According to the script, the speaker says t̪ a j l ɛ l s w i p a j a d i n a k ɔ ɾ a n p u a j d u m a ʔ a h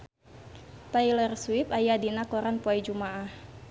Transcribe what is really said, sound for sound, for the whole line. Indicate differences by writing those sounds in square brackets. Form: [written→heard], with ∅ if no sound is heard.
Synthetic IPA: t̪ a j l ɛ [l→r] s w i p a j a d i n a k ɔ ɾ a n p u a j [d→d͡ʒ] u m a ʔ a h